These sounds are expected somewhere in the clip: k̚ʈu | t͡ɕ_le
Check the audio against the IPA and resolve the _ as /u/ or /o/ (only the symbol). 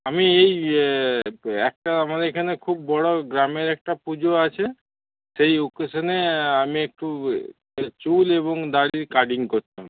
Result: u